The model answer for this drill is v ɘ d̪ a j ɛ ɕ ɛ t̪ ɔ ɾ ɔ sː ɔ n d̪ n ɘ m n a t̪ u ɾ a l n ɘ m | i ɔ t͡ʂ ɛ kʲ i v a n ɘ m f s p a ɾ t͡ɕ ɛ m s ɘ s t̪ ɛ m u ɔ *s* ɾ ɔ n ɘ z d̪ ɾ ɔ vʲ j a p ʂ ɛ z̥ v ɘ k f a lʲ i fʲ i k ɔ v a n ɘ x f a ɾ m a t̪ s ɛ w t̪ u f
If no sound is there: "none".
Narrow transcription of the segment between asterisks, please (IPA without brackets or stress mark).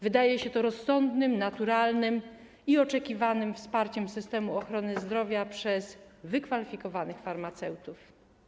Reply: x